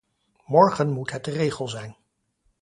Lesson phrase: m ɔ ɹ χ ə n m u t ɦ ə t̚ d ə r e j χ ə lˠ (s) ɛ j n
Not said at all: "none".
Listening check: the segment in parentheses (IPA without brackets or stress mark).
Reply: z